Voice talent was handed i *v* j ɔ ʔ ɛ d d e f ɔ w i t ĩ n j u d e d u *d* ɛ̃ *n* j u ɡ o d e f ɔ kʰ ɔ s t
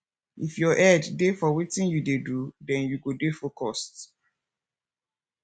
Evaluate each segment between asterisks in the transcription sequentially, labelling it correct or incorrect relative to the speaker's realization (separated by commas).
incorrect, correct, correct